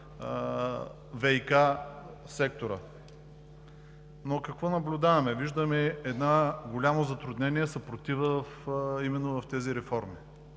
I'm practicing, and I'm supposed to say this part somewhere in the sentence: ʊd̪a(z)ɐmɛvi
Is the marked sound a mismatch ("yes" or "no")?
yes